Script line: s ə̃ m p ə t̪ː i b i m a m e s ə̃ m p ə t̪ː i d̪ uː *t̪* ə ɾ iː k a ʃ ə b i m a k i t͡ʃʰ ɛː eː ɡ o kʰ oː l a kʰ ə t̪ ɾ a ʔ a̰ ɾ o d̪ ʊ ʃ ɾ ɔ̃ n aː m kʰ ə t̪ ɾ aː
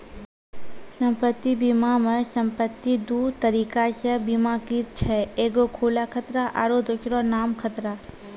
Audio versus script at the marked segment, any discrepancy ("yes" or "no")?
no